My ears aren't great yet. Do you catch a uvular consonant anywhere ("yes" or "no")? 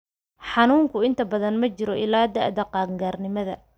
yes